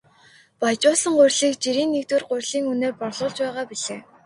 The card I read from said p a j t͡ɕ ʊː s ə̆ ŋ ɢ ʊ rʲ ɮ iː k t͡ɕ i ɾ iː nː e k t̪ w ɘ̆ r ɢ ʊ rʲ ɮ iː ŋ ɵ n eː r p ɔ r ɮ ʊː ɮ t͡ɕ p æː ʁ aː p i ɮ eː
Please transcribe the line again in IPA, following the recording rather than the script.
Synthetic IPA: p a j t͡ɕ ʊː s ə̆ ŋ ɢ ʊ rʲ ɮ iː k t͡ɕ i ɾ iː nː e k t̪ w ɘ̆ r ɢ ʊ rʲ ɮ iː ŋ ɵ n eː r p ɔ r ɮ ʊː ɮ t͡ɕ p æː ʁ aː p i ɮ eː